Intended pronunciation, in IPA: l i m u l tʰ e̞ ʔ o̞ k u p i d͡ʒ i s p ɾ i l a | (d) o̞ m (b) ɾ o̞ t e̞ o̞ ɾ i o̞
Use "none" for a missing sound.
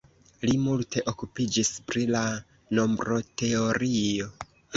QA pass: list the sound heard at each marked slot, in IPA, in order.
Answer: n, b

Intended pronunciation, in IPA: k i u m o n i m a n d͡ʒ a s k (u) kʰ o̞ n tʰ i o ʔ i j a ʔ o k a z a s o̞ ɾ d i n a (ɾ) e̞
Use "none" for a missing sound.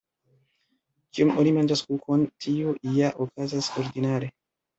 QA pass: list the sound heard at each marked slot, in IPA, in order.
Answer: u, ɾ

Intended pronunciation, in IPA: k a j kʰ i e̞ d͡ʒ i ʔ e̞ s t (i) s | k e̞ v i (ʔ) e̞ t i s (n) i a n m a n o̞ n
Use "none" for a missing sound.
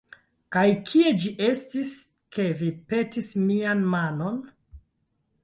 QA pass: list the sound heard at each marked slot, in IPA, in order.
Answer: i, p, m

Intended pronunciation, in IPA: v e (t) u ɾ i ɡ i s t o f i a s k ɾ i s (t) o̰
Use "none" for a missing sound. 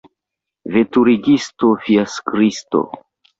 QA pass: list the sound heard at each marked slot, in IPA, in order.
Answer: t, t

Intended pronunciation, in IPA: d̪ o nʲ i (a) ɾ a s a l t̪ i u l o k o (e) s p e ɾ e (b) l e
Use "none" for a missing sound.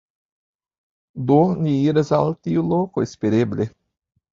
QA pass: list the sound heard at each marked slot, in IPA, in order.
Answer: i, e, b

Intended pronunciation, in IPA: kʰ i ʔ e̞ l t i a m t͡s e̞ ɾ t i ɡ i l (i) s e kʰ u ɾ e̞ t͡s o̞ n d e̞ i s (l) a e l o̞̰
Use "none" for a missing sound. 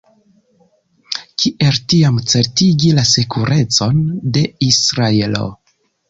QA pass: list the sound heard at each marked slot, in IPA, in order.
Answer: a, ɾ

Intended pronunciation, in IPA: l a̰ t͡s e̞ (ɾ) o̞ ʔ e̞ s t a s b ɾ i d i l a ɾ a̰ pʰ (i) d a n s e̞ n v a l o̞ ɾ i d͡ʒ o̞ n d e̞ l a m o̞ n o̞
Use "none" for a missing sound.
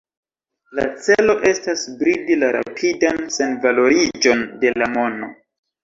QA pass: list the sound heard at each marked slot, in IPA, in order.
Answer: l, i

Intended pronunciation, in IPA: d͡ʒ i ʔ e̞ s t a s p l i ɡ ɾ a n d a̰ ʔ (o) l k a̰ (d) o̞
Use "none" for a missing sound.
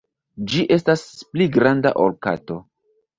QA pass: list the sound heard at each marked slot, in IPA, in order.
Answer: o, t

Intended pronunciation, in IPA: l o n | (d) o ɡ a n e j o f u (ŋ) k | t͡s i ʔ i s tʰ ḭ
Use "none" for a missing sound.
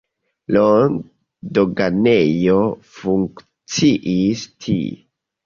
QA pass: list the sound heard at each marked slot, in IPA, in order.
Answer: d, ŋ

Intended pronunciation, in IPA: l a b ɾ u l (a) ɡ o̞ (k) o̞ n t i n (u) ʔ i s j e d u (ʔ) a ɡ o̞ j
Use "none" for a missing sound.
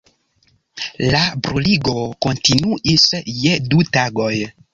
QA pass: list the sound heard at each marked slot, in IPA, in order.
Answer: i, k, u, t

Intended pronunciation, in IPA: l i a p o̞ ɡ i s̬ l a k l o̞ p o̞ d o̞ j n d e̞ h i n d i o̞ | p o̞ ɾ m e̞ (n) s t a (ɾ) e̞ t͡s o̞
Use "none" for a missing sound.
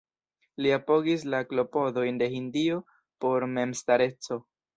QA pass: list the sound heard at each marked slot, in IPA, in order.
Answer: m, ɾ

